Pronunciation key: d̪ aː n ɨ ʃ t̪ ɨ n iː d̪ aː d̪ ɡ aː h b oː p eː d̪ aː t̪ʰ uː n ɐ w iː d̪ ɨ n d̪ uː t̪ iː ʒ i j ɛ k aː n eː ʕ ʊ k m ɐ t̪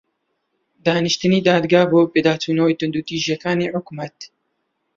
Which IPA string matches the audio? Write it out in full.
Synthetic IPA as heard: d̪ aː n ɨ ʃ t̪ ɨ n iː d̪ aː d̪ ɡ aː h b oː p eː d̪ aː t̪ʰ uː n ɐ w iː t̪ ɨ n d̪ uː t̪ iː ʒ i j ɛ k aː n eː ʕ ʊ k m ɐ t̪